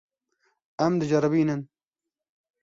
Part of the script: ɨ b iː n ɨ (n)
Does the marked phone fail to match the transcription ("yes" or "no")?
no